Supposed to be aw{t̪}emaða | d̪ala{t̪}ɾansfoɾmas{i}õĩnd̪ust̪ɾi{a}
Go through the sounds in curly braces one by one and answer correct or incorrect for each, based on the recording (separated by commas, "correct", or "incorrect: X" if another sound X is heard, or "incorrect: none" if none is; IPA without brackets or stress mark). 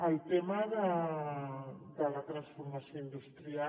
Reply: correct, correct, incorrect: j, correct